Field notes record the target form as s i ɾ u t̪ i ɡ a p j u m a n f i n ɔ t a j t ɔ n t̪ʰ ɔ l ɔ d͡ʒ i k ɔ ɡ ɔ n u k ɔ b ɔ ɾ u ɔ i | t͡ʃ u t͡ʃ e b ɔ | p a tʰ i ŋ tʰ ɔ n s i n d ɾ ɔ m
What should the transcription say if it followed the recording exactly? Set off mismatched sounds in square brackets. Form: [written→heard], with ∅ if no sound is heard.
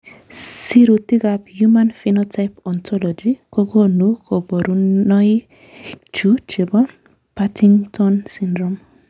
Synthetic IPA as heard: s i ɾ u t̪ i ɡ a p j u m a n f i n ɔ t a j [t→p] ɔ n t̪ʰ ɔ l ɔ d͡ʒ i k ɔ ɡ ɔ n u k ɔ b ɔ ɾ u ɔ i | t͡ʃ u t͡ʃ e b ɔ | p a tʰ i ŋ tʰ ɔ n s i n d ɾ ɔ m